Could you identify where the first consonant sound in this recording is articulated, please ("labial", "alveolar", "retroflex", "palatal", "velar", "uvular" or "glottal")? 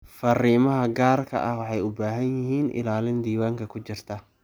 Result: labial